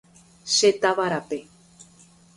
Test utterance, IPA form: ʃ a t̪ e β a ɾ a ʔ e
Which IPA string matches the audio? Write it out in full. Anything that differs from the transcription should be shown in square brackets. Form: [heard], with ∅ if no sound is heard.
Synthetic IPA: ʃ [e] t̪ [a] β a ɾ a [p] e